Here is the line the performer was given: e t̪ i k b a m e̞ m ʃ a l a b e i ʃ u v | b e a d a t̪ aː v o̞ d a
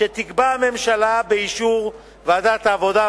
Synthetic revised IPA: e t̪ i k b a m e̞ m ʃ a l a b e i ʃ u ʁ | v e a d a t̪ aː v o̞ d a

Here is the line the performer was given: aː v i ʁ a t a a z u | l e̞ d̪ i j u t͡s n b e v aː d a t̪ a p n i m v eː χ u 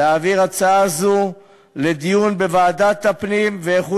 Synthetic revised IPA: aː v i ʁ a t͡s a a z u | l e̞ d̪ i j u n b e v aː d a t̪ a p n i m v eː χ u

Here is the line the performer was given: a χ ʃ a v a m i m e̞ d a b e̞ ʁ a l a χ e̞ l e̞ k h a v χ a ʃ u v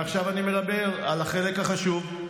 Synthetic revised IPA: a χ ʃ a v a n i m e̞ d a b e̞ ʁ a l a χ e̞ l e̞ k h a χ a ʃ u v

